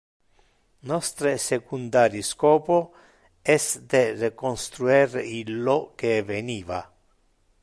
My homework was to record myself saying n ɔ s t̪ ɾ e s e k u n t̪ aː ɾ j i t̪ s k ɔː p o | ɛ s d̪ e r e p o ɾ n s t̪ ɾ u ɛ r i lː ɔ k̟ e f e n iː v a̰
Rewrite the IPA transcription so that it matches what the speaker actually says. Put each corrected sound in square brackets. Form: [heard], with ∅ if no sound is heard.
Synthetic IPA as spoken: n ɔ s t̪ ɾ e s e k u n [d̪] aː ɾ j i [∅] s k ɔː p o | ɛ s d̪ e r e [k] o [∅] n s t̪ ɾ u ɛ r i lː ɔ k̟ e [v] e n iː v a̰